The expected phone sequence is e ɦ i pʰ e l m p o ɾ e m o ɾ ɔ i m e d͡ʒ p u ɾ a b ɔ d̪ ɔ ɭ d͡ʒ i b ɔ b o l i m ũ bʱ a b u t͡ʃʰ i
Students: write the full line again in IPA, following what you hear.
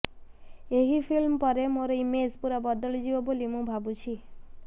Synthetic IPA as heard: e ɦ i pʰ i l m p ɔ ɾ e m o ɾ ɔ i m e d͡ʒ p u ɾ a b ɔ d̪ ɔ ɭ d͡ʒ i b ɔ b o l i m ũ bʱ a b u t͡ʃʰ i